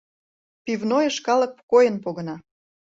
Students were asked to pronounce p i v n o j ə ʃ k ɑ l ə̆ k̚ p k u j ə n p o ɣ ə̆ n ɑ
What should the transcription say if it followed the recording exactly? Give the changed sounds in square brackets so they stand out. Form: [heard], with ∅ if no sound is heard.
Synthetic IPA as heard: p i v n o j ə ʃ k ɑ l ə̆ k̚ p k [o] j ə n p o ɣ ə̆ n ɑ